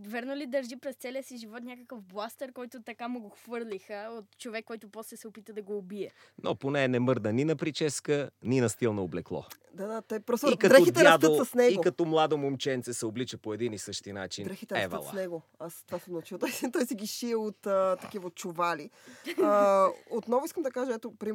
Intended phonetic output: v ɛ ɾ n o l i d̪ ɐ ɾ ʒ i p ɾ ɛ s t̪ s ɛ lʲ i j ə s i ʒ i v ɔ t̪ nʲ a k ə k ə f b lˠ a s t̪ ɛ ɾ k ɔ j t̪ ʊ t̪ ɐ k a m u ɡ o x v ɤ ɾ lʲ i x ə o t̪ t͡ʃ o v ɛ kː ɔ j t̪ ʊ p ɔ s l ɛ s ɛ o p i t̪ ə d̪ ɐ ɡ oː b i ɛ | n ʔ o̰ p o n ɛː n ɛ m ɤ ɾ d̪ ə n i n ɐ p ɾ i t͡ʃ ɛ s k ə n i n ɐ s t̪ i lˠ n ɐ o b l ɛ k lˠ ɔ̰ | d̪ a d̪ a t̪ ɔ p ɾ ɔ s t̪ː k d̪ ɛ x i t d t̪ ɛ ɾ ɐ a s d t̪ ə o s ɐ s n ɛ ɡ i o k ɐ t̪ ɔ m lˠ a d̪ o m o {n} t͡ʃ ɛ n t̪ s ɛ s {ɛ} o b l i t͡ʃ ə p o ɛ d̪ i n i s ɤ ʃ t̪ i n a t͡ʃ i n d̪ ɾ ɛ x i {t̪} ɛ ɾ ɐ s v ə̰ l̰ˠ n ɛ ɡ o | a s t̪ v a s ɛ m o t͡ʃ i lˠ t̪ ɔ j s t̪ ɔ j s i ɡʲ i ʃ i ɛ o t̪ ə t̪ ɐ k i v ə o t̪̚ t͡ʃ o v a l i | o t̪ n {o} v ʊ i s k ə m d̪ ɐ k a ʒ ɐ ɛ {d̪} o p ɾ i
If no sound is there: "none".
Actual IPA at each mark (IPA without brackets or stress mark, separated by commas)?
m, ɛ, t̪, ɔ, t̪